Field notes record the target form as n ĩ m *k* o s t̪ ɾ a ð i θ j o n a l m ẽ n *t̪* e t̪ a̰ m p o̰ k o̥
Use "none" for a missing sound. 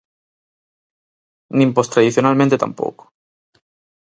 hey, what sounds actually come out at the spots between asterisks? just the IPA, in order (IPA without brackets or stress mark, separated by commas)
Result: p, t̪